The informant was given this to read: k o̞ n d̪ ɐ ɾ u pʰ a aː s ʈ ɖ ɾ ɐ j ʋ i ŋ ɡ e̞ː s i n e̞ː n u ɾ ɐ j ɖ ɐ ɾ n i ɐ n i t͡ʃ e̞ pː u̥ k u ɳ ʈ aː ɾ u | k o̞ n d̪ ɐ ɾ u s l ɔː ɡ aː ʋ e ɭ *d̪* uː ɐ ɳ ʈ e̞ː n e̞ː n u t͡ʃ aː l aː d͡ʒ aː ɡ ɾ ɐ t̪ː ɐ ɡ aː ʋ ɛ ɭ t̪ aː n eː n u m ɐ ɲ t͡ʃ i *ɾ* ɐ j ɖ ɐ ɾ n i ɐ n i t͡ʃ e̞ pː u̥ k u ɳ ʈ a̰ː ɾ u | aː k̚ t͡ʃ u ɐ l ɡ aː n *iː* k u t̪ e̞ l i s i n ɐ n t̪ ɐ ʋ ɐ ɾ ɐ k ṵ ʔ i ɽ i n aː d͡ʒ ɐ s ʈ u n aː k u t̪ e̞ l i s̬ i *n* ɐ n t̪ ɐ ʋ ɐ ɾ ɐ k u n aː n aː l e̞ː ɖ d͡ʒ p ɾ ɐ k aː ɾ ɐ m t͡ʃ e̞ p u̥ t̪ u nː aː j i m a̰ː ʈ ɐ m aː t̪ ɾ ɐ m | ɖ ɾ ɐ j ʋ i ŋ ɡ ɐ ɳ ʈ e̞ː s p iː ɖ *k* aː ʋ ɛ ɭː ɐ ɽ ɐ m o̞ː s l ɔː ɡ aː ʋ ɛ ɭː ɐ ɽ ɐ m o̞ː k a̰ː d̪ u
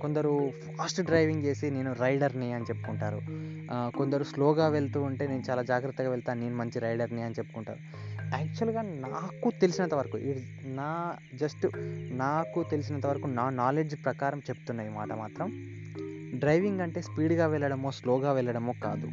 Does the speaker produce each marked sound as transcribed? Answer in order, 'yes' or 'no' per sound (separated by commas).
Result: no, yes, no, yes, no